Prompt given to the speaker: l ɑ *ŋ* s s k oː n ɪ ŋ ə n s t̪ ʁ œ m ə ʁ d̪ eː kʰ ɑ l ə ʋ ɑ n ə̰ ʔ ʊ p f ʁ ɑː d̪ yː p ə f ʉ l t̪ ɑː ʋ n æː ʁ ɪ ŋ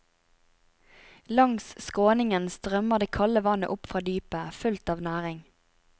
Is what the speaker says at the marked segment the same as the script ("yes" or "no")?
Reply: yes